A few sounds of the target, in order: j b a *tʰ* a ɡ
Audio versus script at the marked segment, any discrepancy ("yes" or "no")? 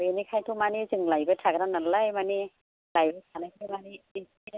no